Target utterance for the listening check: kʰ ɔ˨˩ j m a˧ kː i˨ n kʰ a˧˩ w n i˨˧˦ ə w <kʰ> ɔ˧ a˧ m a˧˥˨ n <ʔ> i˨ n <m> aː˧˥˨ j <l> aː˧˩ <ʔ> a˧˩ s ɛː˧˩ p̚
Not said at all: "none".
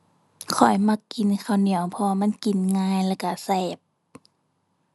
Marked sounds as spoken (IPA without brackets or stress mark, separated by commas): pʰ, k, ŋ, l, k